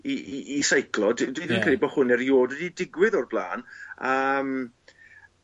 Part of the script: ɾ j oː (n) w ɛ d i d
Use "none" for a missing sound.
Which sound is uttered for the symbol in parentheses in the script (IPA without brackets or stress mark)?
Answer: d